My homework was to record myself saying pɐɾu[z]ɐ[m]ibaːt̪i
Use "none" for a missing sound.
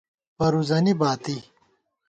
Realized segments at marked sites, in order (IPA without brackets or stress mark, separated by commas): z, n